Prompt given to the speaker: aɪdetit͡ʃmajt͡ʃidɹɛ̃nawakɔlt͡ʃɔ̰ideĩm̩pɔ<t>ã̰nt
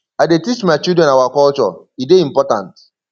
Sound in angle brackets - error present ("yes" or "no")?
no